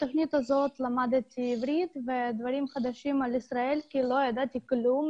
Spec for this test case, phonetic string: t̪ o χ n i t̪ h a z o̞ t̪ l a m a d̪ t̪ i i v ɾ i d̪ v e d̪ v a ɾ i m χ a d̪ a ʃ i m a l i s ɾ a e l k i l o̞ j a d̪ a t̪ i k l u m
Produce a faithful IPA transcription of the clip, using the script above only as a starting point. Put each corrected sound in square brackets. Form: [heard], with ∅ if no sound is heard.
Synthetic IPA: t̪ o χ n i t̪ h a z o̞ t̪ l a m a d̪ t̪ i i v ɾ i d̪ v e d̪ v a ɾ i m χ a d̪ a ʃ i m a l i s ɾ a e l k i l o̞ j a d̪ a t̪ i k l u m